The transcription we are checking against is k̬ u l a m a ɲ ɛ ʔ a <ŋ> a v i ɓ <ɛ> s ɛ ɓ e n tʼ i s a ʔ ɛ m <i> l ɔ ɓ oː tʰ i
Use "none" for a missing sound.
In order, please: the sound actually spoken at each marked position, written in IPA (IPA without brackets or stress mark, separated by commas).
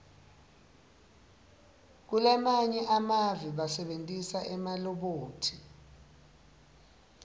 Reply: m, a, a